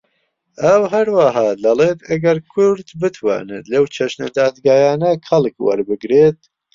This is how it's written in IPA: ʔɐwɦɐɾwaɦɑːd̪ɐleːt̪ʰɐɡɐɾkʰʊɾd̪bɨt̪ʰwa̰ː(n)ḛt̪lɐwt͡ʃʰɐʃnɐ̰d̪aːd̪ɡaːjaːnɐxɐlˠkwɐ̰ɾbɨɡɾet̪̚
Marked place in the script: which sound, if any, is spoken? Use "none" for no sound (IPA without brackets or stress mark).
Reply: n